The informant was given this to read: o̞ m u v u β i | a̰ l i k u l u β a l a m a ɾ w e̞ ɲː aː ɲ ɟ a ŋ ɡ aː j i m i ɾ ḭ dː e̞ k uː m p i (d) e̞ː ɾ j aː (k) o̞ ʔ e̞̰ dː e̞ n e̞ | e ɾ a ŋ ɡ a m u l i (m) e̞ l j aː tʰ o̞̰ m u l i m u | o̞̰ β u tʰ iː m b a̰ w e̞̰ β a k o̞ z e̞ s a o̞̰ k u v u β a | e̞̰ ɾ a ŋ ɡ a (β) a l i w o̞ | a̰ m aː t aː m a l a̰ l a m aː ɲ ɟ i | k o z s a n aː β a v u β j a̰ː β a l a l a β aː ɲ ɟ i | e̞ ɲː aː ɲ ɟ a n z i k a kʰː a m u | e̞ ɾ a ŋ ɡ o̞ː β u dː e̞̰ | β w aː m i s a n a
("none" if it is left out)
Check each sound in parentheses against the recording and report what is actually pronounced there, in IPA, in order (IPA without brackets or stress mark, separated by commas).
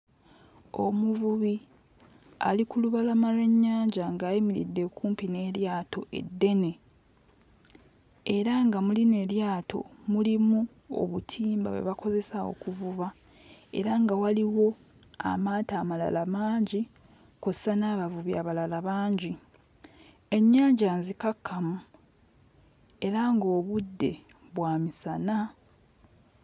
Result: n, t, n, w